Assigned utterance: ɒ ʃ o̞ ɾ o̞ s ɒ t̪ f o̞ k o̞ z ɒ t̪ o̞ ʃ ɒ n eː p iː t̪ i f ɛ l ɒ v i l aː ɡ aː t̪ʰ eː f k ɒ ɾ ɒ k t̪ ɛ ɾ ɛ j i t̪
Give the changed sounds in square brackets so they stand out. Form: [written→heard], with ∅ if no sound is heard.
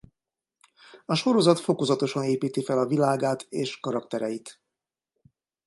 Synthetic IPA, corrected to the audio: ɒ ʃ o̞ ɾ o̞ [s→z] ɒ t̪ f o̞ k o̞ z ɒ t̪ o̞ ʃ ɒ n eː p iː t̪ i f ɛ l ɒ v i l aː ɡ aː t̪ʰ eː [f→ʃ] k ɒ ɾ ɒ k t̪ ɛ ɾ ɛ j i t̪